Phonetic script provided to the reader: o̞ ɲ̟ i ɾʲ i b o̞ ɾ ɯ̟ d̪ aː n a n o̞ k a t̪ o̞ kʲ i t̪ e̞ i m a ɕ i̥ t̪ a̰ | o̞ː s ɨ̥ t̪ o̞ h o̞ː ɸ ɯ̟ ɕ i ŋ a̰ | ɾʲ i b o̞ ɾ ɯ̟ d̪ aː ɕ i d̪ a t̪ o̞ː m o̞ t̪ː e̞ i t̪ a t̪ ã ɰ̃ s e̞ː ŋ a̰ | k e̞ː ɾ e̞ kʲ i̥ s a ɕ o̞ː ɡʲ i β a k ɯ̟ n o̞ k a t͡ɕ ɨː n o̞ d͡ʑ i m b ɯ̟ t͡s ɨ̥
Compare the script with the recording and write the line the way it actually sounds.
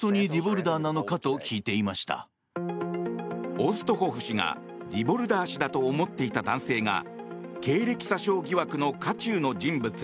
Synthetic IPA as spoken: o̞ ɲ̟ i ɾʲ i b o̞ ɾ ɯ̟ d̪ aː n a n o̞ k a t̪ o̞ kʲ iː t̪ e̞ i m a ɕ i̥ t̪ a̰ | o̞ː s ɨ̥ t̪ o̞ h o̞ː ɸ ɯ̟ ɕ i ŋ a̰ | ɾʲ i b o̞ ɾ ɯ̟ d̪ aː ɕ i d̪ a t̪ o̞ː m o̞ t̪ː e̞ i t̪ a d̪ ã ɰ̃ s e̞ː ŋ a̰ | k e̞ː ɾ e̞ kʲ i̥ s a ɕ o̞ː ɡʲ i β a k ɯ̟ n o̞ k a t͡ɕ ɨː n o̞ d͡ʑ ĩ m b ɯ̟ t͡s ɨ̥